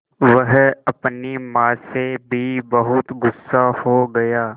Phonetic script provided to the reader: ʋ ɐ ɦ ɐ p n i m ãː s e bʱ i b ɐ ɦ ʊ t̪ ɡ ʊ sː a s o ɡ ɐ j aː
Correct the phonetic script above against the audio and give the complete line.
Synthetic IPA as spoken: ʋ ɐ ɦ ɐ p n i m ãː s e bʱ i b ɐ ɦ ʊ t̪ ɡ ʊ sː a h o ɡ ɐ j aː